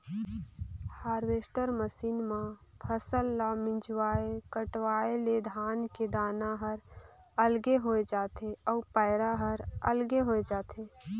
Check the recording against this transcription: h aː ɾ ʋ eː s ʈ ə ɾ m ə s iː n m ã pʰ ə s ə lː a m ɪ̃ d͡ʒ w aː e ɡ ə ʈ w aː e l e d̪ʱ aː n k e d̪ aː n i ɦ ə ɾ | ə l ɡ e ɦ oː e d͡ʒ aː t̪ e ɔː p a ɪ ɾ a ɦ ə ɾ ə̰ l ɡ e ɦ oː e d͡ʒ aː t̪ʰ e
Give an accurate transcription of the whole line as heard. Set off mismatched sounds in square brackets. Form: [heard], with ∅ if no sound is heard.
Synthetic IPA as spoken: h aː ɾ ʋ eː s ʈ ə ɾ m ə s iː n m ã pʰ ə s ə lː a m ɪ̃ d͡ʒ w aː e [k] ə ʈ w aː e l e d̪ʱ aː n k e d̪ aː n [a] ɦ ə ɾ | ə l ɡ e ɦ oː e d͡ʒ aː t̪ e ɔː p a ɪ ɾ a ɦ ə ɾ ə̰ l ɡ e ɦ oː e d͡ʒ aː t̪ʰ e